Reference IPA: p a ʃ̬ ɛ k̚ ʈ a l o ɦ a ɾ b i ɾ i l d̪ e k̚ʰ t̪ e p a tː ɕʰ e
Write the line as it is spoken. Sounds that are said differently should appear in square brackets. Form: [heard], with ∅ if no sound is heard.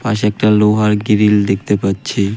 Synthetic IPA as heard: p a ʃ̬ ɛ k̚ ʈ a l o ɦ a ɾ [ɡ] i ɾ i l d̪ e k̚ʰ t̪ e p a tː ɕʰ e